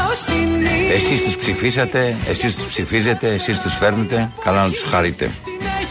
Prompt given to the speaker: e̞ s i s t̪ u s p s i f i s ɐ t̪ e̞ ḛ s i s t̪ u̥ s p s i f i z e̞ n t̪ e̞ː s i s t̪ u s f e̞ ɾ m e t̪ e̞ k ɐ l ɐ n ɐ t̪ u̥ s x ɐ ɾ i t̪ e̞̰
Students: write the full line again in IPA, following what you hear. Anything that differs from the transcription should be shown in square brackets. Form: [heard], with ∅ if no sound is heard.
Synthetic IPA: e̞ s i s t̪ u s p s i f i s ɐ t̪ e̞ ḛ s i s t̪ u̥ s p s i f i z e̞ [∅] t̪ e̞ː s i s t̪ u s f e̞ ɾ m e t̪ e̞ k ɐ l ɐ n ɐ t̪ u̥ s x ɐ ɾ i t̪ e̞̰